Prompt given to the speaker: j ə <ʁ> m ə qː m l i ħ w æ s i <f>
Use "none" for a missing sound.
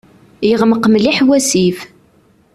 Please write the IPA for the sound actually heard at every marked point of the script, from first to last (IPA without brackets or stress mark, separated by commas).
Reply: ʁ, f